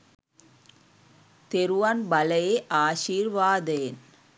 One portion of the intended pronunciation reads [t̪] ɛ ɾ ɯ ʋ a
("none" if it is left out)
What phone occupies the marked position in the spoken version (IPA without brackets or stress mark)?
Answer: t̪